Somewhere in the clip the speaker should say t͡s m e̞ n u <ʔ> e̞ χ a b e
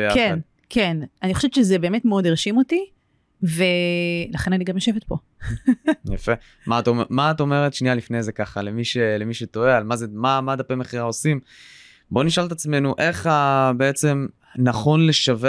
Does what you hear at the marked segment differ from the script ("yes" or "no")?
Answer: no